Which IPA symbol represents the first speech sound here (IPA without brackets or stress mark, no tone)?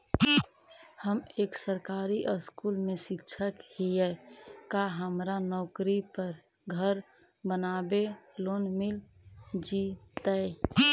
h